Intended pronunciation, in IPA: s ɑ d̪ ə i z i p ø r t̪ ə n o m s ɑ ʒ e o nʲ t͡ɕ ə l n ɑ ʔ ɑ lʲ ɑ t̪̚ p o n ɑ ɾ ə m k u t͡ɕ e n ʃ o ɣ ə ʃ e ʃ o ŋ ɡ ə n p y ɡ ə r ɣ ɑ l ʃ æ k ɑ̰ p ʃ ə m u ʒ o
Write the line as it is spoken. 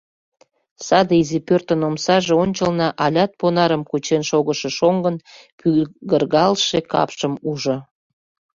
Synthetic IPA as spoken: s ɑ d̪ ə i z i p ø r t̪ ə n o m s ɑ ʒ e o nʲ t͡ɕ ə l n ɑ ʔ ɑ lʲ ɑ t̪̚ p o n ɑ ɾ ə m k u t͡ɕ e n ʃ o ɣ ə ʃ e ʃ o ŋ ɡ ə n p y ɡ ə r ɣ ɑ l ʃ e k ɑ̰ p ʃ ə m u ʒ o